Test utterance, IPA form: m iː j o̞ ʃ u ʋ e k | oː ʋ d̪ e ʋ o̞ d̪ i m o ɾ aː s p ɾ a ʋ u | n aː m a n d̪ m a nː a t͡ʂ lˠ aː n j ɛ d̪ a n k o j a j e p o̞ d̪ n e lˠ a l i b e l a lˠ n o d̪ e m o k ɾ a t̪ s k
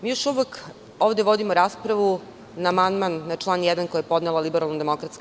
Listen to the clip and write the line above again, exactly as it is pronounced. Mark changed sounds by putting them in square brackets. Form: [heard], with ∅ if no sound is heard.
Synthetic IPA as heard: m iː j o̞ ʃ u ʋ e k | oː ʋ d̪ e ʋ o̞ d̪ i m o ɾ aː s p ɾ a ʋ u | n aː m a n d̪ m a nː a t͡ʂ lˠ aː n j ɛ d̪ a n k o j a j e p o̞ d̪ n e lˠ a l i b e [ɾ] a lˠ n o d̪ e m o k ɾ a t̪ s k

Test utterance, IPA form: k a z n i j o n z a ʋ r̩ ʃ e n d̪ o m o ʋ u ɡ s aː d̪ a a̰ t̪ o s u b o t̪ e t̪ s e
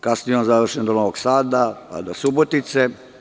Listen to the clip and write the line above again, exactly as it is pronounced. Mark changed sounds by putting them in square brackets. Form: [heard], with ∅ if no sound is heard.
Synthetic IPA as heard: k a [s] n i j o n z a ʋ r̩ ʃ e n d̪ o [n] o ʋ [o] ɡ s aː d̪ a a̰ [d̪] o s u b o t̪ [i] t̪ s e

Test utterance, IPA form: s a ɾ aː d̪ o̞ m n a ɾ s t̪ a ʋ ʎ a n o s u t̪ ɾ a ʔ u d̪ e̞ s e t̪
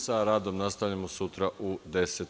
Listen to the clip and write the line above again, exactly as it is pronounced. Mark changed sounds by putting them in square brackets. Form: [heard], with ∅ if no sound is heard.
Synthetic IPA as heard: s a ɾ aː d̪ o̞ m n a [∅] s t̪ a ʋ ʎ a [m] o s u t̪ ɾ a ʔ u d̪ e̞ s e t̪

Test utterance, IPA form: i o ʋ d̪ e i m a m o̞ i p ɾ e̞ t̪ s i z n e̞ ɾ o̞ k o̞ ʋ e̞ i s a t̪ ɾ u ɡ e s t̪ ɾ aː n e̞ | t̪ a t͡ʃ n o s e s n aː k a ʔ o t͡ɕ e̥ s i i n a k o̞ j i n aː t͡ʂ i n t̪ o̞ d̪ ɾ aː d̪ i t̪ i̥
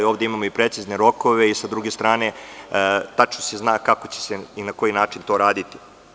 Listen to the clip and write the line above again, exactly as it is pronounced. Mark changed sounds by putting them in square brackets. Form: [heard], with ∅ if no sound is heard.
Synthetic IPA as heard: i o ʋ d̪ e i m a m o̞ i p ɾ e̞ t̪ s i z n e̞ ɾ o̞ k o̞ ʋ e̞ i s a [d̪] ɾ u ɡ e s t̪ ɾ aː n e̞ | t̪ a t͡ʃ n o s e [z] n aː k a [k] o t͡ɕ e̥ s [e] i n a k o̞ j i n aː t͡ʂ i n t̪ o̞ [∅] ɾ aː d̪ i t̪ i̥

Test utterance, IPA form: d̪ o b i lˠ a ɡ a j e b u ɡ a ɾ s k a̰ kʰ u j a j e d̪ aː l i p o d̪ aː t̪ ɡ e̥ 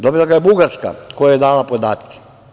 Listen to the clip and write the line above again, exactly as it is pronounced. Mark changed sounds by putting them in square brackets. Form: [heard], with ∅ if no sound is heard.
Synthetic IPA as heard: d̪ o b i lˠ a ɡ a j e b u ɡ a ɾ s k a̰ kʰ [o] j a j e d̪ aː l [a] p o d̪ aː t̪ [k] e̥

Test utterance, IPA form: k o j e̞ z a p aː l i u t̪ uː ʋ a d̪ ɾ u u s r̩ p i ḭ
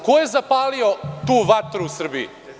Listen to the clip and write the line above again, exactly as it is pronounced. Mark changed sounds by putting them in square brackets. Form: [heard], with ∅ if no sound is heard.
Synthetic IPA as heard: k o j e̞ z a p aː l i [o] t̪ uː ʋ a [t̪] ɾ u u s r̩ [b] i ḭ

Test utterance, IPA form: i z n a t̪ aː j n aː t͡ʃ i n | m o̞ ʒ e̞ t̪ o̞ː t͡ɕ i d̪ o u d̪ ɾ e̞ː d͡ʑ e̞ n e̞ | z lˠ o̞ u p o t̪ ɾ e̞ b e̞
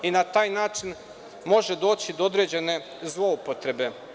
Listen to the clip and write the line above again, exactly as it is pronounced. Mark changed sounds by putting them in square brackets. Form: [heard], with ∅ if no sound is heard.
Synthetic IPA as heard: i [∅] n a t̪ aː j n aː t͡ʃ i n | m o̞ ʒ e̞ [d̪] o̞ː t͡ɕ i d̪ o [o] d̪ ɾ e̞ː d͡ʑ e̞ n e̞ | z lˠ o̞ u p o t̪ ɾ e̞ b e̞

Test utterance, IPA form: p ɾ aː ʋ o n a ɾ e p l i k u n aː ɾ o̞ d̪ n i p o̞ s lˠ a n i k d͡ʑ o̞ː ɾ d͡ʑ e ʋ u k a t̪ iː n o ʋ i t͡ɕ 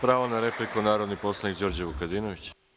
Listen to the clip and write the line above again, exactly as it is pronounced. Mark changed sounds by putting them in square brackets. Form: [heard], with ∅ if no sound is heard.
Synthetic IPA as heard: p ɾ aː ʋ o n a ɾ e p l i k u n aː ɾ o̞ d̪ n i p o̞ s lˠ a n i k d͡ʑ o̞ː ɾ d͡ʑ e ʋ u k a [d̪] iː n o ʋ i t͡ɕ

